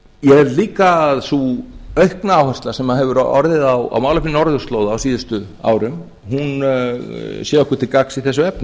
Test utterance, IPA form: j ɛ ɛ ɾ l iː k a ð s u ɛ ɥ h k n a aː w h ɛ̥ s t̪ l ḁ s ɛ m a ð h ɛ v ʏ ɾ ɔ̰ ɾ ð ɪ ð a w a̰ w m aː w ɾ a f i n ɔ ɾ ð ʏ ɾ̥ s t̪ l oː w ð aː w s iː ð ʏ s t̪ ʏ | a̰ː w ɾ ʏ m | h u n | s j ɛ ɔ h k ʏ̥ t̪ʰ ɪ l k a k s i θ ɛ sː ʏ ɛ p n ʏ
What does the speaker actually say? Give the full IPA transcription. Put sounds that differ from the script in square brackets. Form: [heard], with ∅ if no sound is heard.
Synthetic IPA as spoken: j ɛ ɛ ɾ l iː k a ð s u [œ] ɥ h k n a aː w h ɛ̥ s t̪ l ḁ s ɛ m a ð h ɛ v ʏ ɾ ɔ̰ ɾ ð ɪ ð a w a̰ w m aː w [l] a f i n ɔ ɾ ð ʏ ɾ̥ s t̪ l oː w ð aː w s iː ð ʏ s t̪ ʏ | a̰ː w ɾ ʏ m | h u n | s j ɛ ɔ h k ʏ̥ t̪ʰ ɪ l k a k s i θ ɛ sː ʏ ɛ p n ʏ